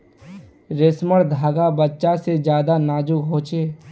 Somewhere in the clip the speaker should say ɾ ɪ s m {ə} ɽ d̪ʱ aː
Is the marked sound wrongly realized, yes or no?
no